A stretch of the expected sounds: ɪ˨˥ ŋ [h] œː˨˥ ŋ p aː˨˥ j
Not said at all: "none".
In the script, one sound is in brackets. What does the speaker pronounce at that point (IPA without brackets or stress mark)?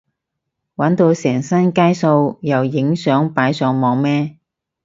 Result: s